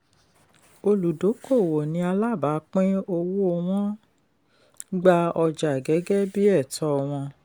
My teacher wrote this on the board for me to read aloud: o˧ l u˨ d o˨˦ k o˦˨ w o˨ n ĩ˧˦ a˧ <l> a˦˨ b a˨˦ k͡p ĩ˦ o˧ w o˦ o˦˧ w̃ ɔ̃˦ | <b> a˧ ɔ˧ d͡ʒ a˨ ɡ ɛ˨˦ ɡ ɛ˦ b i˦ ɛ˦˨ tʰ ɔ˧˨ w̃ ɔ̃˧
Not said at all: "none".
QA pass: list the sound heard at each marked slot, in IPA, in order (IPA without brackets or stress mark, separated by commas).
l, ɡ͡b